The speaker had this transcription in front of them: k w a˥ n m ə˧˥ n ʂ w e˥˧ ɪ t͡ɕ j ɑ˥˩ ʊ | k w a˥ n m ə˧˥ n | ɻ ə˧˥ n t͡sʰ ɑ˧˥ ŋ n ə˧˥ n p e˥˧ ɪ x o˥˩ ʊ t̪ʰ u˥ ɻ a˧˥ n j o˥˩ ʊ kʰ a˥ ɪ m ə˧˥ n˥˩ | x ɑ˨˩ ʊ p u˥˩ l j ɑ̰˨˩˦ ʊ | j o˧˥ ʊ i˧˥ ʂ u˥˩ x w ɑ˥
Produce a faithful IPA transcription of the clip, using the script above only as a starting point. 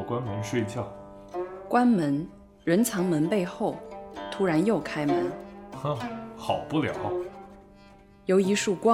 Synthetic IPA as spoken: k w a˥ n m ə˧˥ n ʂ w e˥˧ ɪ t͡ɕ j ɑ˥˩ ʊ | k w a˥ n m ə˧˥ n | ɻ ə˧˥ n t͡sʰ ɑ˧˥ ŋ m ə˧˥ n p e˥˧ ɪ x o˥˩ ʊ t̪ʰ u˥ ɻ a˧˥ n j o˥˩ ʊ kʰ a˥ ɪ m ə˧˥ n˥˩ | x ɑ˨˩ ʊ p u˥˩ l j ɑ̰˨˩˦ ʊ | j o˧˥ ʊ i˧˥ ʂ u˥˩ k w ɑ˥